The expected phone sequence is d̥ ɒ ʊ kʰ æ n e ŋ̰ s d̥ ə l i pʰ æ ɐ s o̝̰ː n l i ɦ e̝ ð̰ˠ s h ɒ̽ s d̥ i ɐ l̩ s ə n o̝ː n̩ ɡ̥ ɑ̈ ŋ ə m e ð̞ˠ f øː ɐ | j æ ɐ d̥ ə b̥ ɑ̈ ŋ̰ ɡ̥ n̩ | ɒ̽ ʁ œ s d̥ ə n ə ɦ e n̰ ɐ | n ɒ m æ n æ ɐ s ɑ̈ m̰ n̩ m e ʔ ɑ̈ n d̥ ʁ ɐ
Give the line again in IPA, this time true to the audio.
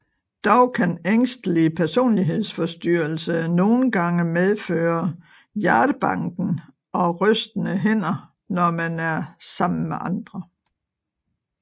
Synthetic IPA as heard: d̥ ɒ ʊ kʰ æ n e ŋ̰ s d̥ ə l i pʰ æ ɐ s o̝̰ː n l i ɦ e̝ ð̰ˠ s f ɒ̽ s d̥ y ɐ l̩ s ə n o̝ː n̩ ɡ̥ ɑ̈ ŋ ə m e ð̞ˠ f øː ɐ | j æ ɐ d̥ ə b̥ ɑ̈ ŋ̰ ɡ̥ n̩ | ɒ̽ ʁ œ s d̥ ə n ə ɦ e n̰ ɐ | n ɒ m æ n æ ɐ s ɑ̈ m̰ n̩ m e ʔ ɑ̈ n d̥ ʁ ɐ